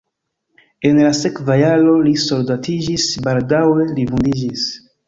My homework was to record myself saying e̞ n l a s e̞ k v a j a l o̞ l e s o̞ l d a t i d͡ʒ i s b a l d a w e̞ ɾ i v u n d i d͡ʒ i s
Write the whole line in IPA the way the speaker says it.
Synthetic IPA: e̞ n l a s e̞ k v a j a l o̞ l i s o̞ l d a t i d͡ʒ i s b a l d a w e̞ l i v u n d i d͡ʒ i s